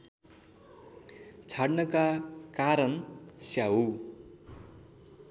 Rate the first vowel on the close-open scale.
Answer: open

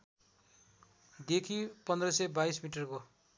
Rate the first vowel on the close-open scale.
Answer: mid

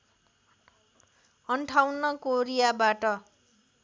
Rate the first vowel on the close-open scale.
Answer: mid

